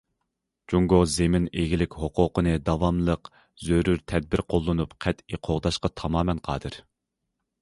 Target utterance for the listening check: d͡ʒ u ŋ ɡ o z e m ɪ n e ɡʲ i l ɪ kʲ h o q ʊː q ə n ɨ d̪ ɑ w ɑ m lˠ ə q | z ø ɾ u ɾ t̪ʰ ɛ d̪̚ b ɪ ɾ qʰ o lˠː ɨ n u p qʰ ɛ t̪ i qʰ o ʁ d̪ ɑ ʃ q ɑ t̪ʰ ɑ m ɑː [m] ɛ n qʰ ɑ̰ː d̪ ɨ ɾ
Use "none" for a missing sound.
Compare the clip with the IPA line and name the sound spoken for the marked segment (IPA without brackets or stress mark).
m